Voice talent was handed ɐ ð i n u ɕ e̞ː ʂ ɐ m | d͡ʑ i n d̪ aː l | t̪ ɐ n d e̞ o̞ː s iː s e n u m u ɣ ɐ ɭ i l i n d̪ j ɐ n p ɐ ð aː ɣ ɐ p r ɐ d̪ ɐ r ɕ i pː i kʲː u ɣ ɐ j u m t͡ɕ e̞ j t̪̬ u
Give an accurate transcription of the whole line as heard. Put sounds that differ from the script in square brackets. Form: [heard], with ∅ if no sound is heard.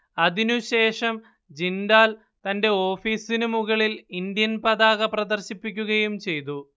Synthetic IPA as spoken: ɐ ð i n u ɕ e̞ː ʂ ɐ m | d͡ʑ i n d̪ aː l | t̪ ɐ n d e̞ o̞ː [f] iː s [i] n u m u ɣ ɐ ɭ i l i n d̪ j ɐ n p ɐ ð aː ɣ ɐ p r ɐ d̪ ɐ r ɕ i pː i kʲː u ɣ ɐ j u m t͡ɕ e̞ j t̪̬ u